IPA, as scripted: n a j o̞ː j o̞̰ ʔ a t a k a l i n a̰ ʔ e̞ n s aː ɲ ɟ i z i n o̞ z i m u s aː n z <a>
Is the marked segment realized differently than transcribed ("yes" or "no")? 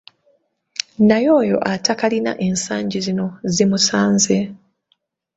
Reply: yes